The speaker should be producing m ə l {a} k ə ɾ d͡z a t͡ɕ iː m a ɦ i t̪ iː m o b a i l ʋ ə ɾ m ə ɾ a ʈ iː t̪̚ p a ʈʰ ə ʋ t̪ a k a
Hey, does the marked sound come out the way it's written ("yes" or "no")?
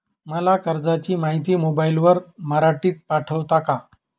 yes